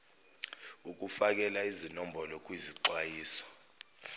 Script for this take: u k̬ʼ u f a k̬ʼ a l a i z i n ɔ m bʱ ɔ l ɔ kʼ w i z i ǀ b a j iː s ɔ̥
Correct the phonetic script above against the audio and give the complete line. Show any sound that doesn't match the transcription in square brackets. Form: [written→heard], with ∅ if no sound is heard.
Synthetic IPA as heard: u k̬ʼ u f a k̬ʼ [a→ɛ] l a i z i n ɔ m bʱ ɔ l ɔ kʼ w i z i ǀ [b→w] a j iː s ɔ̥